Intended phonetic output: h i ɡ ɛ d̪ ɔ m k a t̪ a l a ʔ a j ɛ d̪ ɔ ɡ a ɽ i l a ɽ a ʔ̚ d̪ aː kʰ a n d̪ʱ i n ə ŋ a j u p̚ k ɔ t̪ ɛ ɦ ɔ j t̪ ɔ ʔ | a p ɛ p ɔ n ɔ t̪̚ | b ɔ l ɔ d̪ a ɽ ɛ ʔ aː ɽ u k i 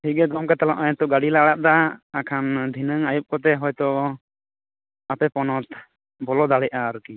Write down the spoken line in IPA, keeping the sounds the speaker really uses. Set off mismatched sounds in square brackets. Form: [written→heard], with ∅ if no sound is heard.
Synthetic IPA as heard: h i ɡ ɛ d̪ ɔ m k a t̪ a l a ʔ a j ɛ [d̪→t̪] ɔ ɡ a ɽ i l a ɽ a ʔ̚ d̪ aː kʰ a n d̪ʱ i n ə ŋ a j u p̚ k ɔ t̪ ɛ ɦ ɔ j t̪ ɔ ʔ | a p ɛ p ɔ n ɔ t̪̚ | b ɔ l ɔ d̪ a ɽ ɛ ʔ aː [ɽ→ɾ] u k i